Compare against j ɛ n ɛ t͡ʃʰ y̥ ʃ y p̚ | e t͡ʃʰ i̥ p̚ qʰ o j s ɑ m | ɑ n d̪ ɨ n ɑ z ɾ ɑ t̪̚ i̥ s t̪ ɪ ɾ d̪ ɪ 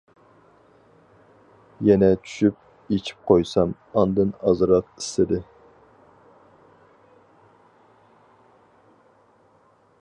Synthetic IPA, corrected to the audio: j ɛ n ɛ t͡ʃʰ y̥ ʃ y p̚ | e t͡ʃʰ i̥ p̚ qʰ o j s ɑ m | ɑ n d̪ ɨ n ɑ z ɾ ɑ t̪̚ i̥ s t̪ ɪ d̪ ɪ